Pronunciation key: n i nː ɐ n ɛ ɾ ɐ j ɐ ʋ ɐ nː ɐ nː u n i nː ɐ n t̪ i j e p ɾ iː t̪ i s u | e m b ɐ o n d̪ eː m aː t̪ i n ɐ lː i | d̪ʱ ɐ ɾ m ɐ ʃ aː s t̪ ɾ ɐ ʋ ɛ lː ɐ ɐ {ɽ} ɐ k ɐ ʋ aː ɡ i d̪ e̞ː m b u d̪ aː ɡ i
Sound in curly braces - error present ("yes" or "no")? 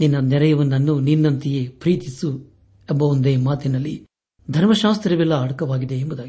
no